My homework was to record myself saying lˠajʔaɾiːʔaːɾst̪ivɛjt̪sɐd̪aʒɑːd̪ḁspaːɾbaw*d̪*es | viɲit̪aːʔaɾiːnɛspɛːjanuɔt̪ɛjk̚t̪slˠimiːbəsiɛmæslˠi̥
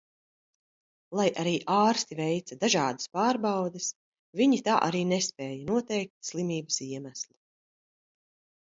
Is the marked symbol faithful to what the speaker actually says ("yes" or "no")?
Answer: yes